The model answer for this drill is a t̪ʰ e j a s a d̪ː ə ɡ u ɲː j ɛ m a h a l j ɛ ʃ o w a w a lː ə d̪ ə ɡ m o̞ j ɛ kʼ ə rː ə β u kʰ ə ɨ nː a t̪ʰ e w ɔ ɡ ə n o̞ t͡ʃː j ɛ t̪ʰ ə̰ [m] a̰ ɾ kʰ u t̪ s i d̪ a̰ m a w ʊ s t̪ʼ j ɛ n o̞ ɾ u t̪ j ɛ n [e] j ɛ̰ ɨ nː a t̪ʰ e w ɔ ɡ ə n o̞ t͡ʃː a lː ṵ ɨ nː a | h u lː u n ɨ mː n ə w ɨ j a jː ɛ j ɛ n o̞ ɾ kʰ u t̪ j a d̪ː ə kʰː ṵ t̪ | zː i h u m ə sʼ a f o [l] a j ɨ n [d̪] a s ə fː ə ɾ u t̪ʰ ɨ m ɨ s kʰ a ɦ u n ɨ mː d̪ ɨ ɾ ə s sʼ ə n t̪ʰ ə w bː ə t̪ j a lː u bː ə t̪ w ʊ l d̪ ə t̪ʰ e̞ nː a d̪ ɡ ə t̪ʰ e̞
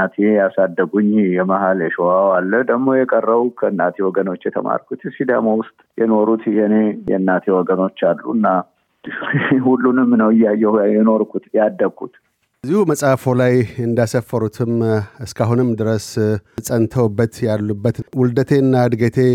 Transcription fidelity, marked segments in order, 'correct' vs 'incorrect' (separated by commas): correct, correct, correct, correct